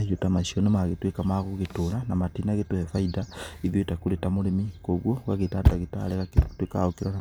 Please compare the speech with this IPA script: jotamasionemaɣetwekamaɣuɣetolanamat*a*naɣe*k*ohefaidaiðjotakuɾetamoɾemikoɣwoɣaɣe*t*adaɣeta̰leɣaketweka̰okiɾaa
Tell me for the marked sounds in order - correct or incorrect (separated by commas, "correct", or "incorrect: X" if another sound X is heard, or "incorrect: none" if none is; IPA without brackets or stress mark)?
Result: incorrect: i, incorrect: t, correct